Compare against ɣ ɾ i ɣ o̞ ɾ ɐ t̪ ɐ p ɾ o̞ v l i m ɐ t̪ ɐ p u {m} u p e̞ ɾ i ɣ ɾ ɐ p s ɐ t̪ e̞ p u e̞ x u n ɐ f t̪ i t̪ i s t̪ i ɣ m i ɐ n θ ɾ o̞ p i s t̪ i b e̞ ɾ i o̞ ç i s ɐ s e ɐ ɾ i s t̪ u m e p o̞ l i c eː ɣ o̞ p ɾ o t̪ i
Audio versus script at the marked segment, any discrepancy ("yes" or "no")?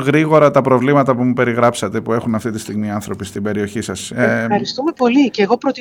no